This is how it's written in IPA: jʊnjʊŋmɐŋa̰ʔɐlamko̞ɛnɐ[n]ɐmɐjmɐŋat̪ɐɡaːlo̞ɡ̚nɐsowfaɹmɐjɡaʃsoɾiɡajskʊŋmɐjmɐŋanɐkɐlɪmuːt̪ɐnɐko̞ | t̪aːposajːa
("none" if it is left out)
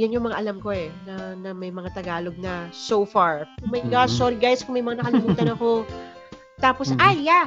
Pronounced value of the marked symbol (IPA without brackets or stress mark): n